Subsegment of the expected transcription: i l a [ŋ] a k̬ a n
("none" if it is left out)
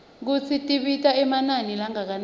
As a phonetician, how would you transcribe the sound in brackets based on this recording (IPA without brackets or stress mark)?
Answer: ŋ